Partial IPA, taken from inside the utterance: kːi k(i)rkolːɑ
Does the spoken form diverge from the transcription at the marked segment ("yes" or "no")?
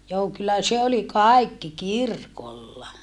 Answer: no